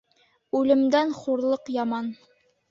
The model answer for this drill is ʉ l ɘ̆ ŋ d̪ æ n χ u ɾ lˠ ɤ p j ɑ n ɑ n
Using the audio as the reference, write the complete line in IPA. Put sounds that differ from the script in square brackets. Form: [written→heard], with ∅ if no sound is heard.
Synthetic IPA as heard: ʉ l ɘ̆ [ŋ→m] d̪ æ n χ u ɾ lˠ ɤ [p→q] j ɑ [n→m] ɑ n

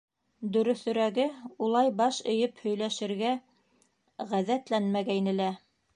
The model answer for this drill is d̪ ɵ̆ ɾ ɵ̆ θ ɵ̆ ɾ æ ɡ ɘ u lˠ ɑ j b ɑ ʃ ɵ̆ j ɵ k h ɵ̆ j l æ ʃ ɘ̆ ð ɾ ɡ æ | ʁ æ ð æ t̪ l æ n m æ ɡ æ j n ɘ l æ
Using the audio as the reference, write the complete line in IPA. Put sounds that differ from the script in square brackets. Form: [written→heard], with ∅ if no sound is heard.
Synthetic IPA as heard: d̪ ɵ̆ ɾ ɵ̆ θ ɵ̆ ɾ æ ɡ ɘ u lˠ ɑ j b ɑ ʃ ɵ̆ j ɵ [k→p] h ɵ̆ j l æ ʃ ɘ̆ [ð→∅] ɾ ɡ æ | ʁ æ ð æ t̪ l æ n m æ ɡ æ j n ɘ l æ

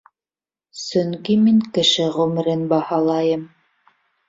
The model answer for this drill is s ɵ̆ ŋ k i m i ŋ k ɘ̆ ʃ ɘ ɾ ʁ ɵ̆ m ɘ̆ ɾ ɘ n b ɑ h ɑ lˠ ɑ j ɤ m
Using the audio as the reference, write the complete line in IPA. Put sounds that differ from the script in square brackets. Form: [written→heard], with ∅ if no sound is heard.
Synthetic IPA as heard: s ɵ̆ ŋ k i m i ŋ k ɘ̆ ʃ ɘ [ɾ→∅] ʁ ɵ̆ m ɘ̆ ɾ ɘ n b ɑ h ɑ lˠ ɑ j ɤ m

